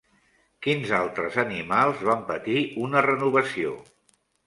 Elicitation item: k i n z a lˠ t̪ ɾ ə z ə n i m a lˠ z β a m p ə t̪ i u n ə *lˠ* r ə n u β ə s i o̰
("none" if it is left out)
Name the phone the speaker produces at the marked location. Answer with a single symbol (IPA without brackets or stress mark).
none